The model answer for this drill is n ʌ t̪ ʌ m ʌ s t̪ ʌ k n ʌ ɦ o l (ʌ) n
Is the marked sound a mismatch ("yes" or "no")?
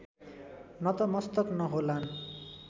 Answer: yes